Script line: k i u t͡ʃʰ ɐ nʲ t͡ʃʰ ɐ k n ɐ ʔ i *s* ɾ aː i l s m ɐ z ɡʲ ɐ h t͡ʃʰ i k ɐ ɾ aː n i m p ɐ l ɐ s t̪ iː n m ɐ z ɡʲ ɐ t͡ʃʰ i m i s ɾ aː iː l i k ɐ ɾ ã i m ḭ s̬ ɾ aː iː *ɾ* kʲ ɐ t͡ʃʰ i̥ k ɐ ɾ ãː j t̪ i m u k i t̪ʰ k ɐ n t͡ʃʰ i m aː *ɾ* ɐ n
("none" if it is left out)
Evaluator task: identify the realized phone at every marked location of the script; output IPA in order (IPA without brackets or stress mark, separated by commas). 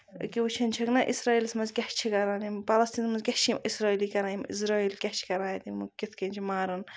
s, l, ɾ